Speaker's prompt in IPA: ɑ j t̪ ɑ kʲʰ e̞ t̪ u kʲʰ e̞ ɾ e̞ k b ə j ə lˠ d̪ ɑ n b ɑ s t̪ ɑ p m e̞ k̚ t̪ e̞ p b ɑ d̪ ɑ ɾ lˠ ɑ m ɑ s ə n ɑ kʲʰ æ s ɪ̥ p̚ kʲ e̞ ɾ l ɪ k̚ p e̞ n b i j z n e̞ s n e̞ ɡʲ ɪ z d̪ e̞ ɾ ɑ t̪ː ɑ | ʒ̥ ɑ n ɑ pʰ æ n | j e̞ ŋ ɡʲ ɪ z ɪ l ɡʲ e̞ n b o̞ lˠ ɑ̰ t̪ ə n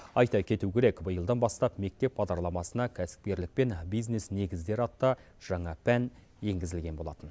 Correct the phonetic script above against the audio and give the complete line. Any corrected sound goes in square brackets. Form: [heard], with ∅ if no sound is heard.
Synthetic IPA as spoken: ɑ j t̪ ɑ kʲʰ e̞ t̪ u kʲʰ e̞ ɾ e̞ k b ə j ə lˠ d̪ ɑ n b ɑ s t̪ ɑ p m e̞ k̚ t̪ e̞ p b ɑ d̪ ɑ ɾ lˠ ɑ m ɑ s ə n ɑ kʲʰ æ s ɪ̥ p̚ kʲ e̞ ɾ l ɪ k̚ p e̞ n b i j z n e̞ s n e̞ ɡʲ ɪ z d̪ e̞ ɾ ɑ t̪ː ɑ | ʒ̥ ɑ [ɴ] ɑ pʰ æ n | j e̞ ŋ ɡʲ ɪ z ɪ l ɡʲ e̞ n b o̞ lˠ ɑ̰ t̪ ə n

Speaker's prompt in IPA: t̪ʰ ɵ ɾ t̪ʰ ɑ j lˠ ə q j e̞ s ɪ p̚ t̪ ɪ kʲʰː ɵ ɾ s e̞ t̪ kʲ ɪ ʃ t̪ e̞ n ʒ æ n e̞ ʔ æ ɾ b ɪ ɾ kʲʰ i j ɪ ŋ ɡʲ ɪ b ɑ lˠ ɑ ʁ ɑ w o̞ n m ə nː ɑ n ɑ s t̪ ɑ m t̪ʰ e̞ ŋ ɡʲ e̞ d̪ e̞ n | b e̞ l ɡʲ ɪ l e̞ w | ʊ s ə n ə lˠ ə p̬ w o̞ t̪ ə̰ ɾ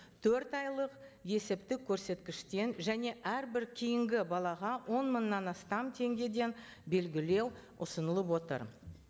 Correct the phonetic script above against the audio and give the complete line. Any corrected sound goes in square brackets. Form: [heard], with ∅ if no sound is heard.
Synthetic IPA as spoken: t̪ʰ ɵ ɾ [t̪] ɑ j lˠ ə q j e̞ s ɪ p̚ t̪ ɪ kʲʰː ɵ ɾ s e̞ t̪ kʲ ɪ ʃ t̪ e̞ n ʒ æ n e̞ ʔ æ ɾ b ɪ ɾ kʲʰ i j ɪ ŋ ɡʲ ɪ b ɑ lˠ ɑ ʁ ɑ w o̞ n m ə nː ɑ n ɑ s t̪ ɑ m t̪ʰ e̞ ŋ ɡʲ e̞ d̪ e̞ n | b e̞ l ɡʲ ɪ l e̞ w | ʊ s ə n ə lˠ ə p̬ w o̞ t̪ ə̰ ɾ

